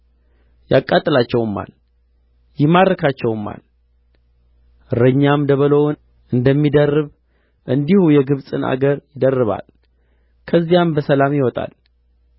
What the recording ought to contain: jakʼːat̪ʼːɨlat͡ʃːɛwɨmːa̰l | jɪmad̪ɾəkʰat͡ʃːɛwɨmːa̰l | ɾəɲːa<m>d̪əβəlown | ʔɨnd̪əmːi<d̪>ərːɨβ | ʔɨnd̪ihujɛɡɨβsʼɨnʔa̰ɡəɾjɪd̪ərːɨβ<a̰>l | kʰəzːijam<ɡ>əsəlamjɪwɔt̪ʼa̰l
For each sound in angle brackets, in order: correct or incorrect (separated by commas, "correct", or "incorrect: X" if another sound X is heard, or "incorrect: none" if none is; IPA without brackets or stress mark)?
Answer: correct, correct, correct, incorrect: b